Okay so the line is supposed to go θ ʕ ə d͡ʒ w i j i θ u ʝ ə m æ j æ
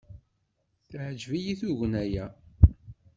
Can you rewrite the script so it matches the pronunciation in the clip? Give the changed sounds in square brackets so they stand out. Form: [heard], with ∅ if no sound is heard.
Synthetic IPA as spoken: θ ʕ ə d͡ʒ [v] i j i θ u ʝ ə [n] æ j æ